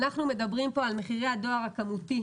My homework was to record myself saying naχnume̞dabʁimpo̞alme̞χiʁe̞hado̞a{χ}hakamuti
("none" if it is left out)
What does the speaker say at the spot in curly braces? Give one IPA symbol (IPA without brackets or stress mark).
ʁ